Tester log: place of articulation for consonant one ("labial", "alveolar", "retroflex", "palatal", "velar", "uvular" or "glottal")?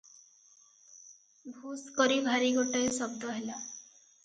labial